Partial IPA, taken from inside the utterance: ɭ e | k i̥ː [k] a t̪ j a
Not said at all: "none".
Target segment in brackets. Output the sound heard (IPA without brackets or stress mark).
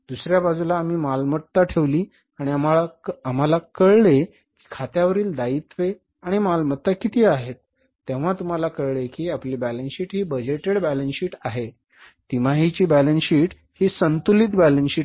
kʰ